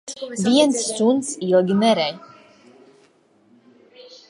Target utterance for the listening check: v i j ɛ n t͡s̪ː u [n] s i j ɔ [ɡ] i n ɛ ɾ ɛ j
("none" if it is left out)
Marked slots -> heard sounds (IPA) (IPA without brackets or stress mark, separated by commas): n, ɡ